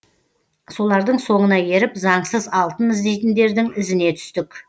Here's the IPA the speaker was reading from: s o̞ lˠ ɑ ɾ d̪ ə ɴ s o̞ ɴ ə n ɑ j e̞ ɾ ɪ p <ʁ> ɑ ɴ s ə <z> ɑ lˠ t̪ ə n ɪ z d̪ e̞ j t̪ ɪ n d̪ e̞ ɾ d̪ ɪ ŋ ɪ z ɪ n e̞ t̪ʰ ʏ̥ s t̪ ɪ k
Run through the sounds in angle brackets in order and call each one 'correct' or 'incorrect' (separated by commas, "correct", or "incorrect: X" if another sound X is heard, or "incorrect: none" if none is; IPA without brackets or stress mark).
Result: incorrect: z, correct